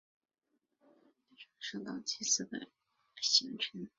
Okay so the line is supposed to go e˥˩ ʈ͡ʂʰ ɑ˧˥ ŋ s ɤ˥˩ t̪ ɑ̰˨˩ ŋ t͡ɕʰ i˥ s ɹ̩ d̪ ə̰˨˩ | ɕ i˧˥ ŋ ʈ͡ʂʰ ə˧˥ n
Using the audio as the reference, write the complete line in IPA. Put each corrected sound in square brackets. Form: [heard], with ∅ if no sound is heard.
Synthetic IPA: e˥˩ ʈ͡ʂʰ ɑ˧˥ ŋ [ʂ] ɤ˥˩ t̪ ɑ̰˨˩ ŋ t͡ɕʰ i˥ s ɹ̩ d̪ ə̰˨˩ | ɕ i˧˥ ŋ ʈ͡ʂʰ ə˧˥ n